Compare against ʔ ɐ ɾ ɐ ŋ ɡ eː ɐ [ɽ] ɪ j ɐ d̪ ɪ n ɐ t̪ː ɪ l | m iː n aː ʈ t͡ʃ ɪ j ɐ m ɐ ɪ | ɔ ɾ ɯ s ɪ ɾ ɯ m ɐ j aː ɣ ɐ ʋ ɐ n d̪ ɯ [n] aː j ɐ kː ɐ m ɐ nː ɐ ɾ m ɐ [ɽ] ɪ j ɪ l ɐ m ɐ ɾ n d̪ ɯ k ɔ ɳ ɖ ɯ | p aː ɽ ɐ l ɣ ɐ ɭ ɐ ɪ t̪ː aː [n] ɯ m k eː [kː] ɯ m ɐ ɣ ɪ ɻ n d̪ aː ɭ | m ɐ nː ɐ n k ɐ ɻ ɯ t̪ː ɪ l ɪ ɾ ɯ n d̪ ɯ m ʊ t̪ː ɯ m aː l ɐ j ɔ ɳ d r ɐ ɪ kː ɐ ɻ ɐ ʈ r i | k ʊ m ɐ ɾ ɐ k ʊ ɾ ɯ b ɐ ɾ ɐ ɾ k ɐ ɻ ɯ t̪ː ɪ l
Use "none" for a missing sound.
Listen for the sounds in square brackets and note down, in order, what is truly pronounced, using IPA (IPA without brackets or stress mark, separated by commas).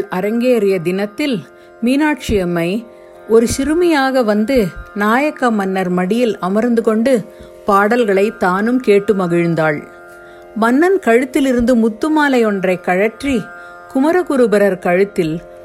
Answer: ɾ, n, ɽ, n, ʈː